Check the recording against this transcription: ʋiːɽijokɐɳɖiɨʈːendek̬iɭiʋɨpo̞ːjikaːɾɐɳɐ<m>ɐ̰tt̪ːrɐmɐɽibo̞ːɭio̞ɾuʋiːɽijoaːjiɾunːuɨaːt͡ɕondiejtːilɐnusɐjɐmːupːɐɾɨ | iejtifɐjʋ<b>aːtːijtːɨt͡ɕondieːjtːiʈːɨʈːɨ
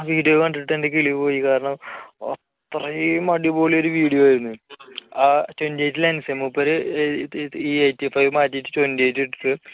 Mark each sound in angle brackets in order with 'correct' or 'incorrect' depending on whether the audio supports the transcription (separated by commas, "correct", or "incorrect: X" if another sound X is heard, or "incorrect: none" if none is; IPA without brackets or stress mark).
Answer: correct, incorrect: m